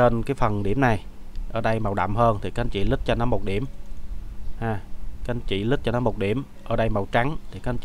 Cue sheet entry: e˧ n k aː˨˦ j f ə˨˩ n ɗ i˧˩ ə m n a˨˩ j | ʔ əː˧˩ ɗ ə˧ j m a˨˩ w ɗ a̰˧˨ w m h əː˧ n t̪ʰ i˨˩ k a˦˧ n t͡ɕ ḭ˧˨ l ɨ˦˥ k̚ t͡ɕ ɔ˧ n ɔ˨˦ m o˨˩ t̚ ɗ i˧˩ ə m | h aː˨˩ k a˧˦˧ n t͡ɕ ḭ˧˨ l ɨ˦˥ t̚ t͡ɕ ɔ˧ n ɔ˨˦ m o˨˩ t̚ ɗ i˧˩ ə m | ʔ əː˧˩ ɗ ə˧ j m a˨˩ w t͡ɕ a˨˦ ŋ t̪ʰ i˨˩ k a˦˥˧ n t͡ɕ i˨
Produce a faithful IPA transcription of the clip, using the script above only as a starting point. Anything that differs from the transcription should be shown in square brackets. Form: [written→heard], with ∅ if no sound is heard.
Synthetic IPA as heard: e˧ n k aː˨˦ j f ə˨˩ n ɗ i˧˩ ə m n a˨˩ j | ʔ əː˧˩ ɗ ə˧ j m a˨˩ w ɗ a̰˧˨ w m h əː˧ n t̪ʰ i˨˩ k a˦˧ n t͡ɕ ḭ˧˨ l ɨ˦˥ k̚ t͡ɕ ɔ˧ n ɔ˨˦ m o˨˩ t̚ ɗ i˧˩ ə m | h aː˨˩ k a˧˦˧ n t͡ɕ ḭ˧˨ l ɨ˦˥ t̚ t͡ɕ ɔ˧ n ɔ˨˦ m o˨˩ t̚ ɗ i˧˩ ə m | ʔ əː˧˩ ɗ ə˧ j m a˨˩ w t͡ɕ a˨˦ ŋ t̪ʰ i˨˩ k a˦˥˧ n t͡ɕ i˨